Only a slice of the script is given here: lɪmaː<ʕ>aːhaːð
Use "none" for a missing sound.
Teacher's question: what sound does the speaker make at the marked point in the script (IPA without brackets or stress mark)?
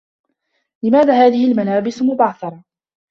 ð